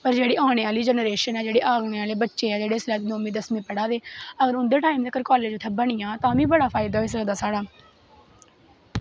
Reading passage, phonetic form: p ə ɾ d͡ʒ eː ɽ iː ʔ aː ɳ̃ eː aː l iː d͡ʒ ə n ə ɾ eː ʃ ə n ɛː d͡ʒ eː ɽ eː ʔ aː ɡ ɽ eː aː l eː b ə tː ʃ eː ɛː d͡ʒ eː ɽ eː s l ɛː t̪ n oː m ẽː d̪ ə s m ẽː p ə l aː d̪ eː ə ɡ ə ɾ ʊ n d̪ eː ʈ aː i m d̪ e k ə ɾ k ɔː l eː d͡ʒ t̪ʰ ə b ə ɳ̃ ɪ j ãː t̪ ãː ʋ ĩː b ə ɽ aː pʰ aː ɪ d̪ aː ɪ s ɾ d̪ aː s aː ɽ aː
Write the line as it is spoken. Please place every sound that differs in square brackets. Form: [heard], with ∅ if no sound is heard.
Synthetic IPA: p ə ɾ d͡ʒ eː ɽ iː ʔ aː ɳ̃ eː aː l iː d͡ʒ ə n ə ɾ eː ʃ ə n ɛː d͡ʒ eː ɽ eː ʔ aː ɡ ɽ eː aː l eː b ə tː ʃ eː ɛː d͡ʒ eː ɽ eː s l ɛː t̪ n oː m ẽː d̪ ə s m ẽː p ə [ɽ] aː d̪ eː ə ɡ ə ɾ ʊ n d̪ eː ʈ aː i m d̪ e k ə ɾ k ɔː l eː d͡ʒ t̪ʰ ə b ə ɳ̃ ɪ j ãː t̪ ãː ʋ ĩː b ə ɽ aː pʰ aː ɪ d̪ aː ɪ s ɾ d̪ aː s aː ɽ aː